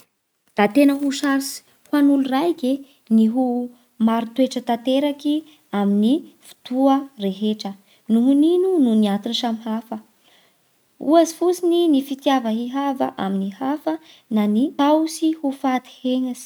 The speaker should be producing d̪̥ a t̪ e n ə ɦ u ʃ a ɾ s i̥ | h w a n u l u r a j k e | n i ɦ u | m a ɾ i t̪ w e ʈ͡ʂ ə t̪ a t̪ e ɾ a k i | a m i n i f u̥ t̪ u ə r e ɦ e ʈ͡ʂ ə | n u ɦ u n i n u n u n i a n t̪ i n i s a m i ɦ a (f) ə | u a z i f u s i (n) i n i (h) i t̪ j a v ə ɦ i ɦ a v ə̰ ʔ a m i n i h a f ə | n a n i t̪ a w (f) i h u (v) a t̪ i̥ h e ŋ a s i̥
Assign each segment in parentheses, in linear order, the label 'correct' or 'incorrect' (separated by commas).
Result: correct, correct, incorrect, incorrect, incorrect